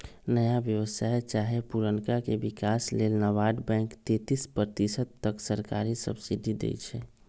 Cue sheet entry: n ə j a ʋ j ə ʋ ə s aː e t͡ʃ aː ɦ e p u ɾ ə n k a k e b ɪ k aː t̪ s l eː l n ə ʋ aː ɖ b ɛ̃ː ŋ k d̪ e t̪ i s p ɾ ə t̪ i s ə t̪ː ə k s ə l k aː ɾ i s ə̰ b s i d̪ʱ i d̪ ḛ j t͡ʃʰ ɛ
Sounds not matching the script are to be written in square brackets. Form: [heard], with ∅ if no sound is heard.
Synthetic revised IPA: n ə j a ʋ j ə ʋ ə s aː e t͡ʃ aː ɦ e p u ɾ ə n k a k e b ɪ k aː [∅] s l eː l n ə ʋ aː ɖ b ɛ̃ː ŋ k [t̪] e t̪ i s p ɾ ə t̪ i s ə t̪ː ə k s ə [ɾ] k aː ɾ i s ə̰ b s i d̪ʱ i d̪ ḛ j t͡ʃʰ ɛ